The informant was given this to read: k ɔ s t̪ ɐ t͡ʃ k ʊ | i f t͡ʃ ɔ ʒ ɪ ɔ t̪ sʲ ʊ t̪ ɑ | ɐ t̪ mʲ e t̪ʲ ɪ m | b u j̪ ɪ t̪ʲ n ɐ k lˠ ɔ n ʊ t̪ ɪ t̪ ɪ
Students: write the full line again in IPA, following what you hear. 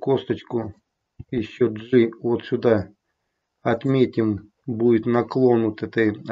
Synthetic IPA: k ɔ s t̪ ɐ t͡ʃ k ʊ | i ʃ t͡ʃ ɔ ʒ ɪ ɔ t̪ sʲ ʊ d̪ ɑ | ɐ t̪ mʲ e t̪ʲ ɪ m | b u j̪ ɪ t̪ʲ n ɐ k lˠ ɔ n ʊ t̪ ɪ t̪ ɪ